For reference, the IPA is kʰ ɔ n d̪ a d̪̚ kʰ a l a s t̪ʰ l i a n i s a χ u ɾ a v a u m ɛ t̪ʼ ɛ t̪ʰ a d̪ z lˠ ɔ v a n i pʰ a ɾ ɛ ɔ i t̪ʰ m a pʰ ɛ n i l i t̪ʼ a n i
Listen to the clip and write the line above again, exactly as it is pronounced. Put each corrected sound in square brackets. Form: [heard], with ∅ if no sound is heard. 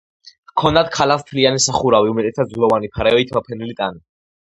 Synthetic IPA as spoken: kʰ ɔ n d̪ a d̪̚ kʰ a l a s t̪ʰ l i a n i s a χ u ɾ a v [i] u m ɛ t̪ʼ ɛ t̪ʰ a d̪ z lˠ ɔ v a n i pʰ a ɾ ɛ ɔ i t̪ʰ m a pʰ ɛ n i l i t̪ʼ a n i